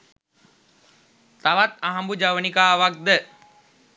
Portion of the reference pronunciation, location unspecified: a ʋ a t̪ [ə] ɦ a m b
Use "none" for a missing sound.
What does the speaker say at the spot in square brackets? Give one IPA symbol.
a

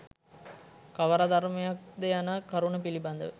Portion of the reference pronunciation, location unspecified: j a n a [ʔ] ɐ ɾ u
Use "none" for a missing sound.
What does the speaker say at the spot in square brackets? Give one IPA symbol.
k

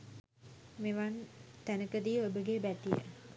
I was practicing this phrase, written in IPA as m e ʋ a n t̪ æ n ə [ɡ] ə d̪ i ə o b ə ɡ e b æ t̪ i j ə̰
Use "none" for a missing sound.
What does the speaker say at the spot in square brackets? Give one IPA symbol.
k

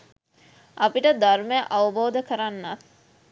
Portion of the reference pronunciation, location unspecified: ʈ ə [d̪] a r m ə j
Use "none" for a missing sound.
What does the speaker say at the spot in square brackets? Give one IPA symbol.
d̪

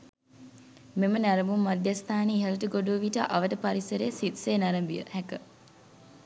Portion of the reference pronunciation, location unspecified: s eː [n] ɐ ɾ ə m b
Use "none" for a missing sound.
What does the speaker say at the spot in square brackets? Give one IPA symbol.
n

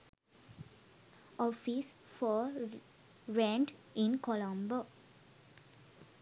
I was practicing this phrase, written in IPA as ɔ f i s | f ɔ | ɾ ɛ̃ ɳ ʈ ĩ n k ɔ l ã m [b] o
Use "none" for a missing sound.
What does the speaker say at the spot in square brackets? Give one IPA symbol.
b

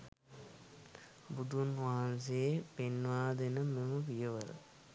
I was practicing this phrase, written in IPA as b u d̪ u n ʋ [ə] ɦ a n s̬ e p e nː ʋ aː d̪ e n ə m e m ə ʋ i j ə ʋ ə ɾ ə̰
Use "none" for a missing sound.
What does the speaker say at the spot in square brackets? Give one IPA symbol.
a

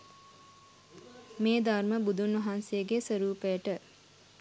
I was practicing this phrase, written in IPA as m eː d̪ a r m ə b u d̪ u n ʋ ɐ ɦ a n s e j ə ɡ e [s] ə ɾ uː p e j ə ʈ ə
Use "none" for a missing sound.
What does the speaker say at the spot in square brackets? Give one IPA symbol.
s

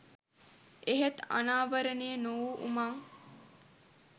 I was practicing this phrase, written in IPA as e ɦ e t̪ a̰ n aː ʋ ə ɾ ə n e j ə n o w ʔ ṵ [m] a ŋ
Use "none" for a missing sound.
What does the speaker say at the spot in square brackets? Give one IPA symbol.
m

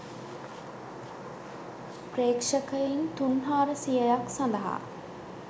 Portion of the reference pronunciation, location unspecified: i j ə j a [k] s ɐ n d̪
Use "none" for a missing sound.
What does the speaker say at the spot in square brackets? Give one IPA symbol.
k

